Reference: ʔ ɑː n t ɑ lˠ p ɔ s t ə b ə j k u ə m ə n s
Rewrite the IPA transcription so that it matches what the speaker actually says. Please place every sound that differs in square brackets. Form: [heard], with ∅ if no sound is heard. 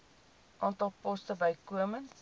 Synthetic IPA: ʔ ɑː n t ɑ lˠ p ɔ s t ə b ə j k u ə m ə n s